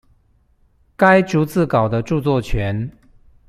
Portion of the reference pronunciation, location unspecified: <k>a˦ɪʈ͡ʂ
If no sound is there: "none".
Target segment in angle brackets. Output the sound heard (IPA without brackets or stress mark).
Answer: k